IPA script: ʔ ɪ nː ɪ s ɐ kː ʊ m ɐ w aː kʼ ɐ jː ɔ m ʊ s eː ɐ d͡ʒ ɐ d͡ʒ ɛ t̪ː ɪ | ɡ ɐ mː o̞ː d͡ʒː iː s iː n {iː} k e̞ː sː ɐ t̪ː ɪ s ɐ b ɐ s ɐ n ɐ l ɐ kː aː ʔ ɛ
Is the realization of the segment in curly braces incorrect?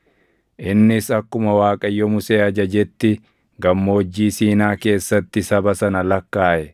yes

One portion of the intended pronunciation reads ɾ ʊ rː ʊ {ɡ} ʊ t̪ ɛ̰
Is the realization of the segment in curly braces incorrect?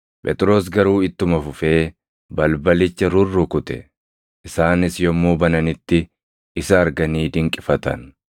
yes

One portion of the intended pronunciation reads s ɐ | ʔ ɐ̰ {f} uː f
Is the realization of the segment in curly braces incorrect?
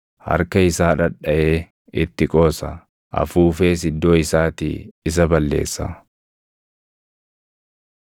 no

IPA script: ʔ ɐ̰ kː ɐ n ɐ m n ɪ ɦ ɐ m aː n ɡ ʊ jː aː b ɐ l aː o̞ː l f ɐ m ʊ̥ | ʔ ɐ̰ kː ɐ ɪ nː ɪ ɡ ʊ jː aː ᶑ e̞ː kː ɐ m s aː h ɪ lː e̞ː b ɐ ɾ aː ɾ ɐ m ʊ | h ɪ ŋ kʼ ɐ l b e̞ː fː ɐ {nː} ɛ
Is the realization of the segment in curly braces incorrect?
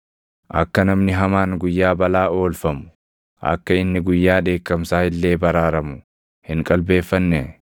no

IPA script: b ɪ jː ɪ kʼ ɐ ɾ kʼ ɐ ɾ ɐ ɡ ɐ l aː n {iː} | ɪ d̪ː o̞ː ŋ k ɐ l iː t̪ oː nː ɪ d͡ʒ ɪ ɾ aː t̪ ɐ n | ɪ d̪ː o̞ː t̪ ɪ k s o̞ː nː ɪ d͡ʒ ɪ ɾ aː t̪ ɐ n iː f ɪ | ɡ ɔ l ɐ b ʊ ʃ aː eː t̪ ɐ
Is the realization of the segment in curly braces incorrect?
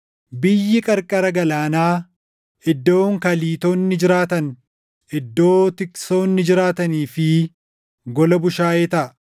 yes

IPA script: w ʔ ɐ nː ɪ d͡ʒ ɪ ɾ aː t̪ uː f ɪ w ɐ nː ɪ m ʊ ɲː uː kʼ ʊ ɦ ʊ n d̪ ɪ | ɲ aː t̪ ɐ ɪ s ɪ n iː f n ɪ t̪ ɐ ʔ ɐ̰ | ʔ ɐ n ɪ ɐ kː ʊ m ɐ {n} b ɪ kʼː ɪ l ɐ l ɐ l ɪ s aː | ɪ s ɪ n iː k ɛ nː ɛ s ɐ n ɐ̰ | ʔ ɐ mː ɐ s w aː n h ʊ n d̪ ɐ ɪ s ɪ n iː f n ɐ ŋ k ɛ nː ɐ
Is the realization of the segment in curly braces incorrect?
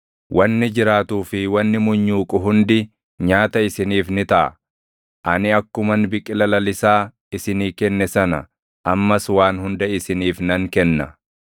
no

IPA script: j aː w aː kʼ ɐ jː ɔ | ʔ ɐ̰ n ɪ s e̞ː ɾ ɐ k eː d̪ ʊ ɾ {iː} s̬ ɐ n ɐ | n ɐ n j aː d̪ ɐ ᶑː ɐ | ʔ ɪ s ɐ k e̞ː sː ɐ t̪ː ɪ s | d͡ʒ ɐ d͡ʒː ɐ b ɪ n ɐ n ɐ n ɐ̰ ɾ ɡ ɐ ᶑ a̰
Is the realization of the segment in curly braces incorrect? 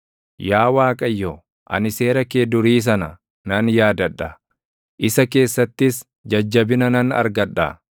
no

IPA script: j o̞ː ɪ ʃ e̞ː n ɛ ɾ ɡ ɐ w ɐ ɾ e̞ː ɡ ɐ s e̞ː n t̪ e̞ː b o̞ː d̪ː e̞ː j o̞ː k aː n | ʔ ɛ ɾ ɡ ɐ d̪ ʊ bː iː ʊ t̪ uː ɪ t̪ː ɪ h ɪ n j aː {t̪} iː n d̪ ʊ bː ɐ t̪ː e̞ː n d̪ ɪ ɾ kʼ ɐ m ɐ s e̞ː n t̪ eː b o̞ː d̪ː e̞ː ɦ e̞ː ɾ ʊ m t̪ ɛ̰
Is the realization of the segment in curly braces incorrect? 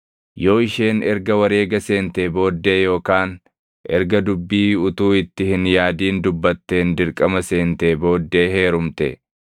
yes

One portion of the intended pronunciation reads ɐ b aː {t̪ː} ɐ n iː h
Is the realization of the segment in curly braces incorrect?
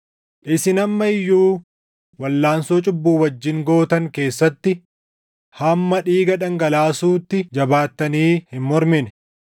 no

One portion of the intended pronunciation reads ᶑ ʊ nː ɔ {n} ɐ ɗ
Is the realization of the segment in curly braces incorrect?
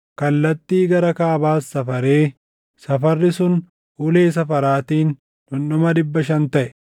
yes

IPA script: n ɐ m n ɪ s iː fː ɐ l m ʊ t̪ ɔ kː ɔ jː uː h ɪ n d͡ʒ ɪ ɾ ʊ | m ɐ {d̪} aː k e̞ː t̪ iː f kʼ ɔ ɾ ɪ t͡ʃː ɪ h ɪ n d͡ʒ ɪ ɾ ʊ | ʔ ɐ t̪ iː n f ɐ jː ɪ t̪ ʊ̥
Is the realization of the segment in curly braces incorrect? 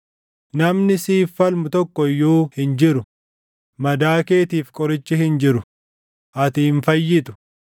no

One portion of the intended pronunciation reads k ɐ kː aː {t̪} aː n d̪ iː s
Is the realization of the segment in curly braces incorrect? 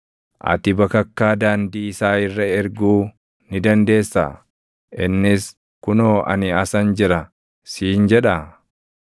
yes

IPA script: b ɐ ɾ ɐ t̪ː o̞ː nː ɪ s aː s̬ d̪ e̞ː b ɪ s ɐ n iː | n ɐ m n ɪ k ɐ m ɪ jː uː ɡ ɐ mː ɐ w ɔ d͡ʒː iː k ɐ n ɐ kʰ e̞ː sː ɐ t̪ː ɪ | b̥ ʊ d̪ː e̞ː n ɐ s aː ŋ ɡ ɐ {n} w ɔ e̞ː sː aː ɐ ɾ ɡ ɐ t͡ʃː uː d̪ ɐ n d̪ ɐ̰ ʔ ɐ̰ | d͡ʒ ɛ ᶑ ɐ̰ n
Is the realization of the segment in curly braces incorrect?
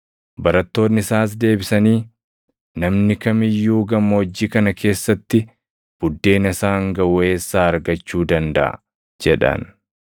yes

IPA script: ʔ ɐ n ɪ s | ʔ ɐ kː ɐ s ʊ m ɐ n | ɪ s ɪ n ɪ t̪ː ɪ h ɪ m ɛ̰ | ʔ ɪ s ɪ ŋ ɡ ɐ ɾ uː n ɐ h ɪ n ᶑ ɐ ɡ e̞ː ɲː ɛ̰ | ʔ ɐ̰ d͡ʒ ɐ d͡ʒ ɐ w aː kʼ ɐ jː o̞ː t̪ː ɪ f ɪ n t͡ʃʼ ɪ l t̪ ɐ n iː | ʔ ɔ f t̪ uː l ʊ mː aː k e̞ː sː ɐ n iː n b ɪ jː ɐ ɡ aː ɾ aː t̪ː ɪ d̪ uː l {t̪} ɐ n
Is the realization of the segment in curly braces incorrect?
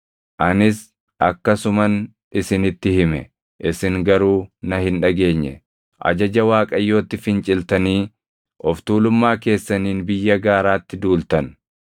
no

